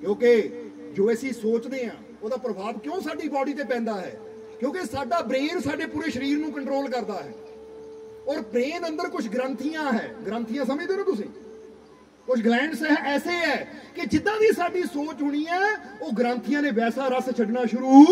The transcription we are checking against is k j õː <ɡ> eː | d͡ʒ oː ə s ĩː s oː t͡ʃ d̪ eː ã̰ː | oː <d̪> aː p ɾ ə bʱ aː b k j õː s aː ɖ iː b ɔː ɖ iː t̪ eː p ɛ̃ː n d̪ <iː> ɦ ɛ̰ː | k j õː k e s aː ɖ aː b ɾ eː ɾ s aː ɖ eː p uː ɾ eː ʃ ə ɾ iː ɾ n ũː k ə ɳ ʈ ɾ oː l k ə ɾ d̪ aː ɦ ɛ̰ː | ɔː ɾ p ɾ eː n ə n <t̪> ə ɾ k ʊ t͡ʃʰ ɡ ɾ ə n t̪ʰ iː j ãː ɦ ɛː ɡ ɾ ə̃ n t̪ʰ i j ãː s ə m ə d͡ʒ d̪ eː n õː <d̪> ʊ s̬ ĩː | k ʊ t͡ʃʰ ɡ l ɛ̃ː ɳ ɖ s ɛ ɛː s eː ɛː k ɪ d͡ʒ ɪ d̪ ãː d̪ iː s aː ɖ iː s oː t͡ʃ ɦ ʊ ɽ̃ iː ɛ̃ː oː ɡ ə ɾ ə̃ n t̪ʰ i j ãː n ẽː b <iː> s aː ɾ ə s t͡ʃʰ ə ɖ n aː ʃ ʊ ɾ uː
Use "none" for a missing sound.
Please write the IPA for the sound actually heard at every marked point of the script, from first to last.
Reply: k, d̪, aː, d̪, t̪, ɛː

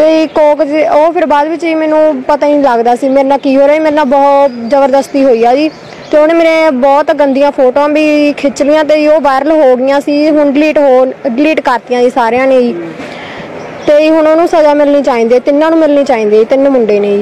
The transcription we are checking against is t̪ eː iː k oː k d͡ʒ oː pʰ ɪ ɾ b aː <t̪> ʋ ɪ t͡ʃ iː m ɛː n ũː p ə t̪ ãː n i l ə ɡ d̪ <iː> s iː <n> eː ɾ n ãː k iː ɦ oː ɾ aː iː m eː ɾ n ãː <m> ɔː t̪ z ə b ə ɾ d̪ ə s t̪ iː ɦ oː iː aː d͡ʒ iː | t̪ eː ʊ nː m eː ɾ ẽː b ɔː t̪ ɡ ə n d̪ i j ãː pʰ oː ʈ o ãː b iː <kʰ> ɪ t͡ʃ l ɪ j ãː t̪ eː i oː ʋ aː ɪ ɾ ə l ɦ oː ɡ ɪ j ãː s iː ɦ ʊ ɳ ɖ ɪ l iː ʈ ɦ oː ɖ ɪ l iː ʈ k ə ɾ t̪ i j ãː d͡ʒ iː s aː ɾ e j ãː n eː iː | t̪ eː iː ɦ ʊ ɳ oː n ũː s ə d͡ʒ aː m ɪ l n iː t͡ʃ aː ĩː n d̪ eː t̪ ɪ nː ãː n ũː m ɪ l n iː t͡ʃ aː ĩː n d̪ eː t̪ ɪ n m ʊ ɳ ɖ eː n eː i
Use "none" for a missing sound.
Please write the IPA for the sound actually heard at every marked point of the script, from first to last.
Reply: d̪, aː, m, b, kʰ

